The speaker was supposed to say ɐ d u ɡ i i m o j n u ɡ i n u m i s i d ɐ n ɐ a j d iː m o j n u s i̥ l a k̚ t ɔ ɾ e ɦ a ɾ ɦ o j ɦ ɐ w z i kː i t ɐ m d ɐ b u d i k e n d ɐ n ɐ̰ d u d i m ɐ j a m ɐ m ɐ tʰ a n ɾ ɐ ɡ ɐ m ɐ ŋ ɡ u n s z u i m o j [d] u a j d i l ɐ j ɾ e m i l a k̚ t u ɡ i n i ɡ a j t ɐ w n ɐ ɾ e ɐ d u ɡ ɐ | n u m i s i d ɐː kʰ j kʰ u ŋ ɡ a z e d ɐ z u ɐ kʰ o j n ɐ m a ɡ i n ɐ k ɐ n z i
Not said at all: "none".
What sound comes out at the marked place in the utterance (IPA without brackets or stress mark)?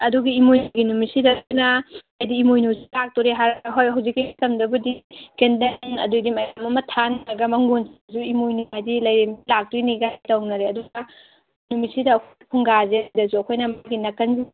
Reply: n